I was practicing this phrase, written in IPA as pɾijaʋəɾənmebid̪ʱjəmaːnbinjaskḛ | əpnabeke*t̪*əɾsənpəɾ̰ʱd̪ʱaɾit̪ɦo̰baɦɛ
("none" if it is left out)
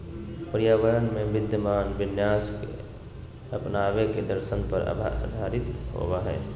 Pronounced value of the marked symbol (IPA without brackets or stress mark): d̪